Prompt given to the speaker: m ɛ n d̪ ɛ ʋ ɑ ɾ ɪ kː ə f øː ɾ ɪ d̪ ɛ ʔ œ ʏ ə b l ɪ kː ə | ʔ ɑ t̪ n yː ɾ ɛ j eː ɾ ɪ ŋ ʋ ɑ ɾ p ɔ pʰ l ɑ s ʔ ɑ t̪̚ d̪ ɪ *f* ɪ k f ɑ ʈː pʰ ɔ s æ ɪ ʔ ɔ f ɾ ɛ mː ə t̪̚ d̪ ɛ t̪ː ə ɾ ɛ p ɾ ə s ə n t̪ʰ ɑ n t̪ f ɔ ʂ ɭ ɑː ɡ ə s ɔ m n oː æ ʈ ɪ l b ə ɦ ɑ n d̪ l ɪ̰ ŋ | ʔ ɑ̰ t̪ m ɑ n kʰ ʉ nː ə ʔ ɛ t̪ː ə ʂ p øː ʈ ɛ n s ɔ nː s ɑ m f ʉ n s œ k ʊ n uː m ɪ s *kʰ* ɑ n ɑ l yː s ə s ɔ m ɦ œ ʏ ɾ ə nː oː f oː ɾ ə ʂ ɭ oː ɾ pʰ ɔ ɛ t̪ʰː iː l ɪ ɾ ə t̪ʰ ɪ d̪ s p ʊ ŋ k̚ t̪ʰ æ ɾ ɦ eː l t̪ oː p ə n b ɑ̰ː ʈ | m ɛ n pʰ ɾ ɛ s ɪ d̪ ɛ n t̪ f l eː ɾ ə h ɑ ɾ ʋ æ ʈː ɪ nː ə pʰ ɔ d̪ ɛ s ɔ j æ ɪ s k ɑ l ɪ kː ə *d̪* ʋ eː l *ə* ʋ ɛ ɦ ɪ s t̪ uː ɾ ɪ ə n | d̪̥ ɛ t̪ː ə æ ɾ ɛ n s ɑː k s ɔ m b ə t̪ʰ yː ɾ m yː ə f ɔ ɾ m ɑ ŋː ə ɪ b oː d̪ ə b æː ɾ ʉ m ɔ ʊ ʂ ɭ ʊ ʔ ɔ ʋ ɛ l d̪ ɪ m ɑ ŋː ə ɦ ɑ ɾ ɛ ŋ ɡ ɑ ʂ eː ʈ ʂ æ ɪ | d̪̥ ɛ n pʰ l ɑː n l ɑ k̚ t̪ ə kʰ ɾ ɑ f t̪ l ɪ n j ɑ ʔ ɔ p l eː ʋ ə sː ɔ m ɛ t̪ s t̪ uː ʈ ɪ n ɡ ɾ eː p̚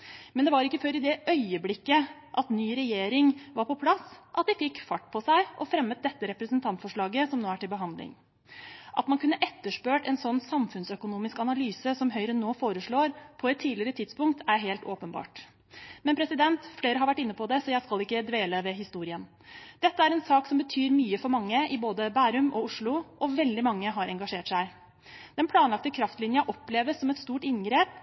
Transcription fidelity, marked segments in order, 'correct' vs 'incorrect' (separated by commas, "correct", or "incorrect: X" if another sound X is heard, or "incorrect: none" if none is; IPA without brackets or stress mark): correct, incorrect: k, correct, correct